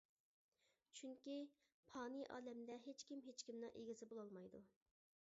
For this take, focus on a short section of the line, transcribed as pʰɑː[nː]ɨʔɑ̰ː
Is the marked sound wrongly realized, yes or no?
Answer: yes